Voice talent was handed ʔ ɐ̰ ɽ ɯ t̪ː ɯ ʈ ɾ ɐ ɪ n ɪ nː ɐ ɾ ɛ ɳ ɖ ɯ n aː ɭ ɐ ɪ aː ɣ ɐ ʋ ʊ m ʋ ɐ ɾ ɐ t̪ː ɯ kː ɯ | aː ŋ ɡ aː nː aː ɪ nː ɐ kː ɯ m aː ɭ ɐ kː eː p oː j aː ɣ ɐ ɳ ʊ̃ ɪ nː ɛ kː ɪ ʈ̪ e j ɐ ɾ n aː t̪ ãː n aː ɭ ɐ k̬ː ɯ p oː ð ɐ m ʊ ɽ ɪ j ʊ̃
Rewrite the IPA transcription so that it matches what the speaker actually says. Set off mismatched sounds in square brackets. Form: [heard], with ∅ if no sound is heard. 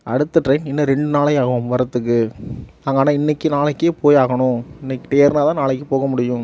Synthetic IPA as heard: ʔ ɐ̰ ɽ ɯ t̪ː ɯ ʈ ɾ ɐ ɪ n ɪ nː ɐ ɾ ɛ ɳ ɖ ɯ n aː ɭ ɐ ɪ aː ɣ ɐ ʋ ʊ m ʋ ɐ ɾ ɐ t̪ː ɯ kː ɯ | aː ŋ ɡ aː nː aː ɪ nː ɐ kː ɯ [n] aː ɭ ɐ kː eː p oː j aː ɣ ɐ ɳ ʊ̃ ɪ nː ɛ kː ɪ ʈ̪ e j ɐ ɾ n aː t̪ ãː n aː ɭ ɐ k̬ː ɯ p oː [ɣ] ɐ m ʊ ɽ ɪ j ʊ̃